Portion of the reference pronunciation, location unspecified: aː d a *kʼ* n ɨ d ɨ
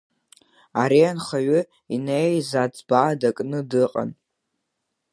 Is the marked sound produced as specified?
yes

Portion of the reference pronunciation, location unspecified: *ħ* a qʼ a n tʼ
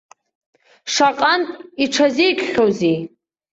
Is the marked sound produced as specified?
no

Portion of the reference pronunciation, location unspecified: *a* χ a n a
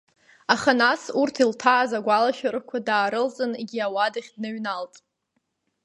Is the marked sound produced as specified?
yes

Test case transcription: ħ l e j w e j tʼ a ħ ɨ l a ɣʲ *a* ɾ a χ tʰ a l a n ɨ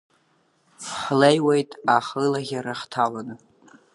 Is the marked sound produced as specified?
yes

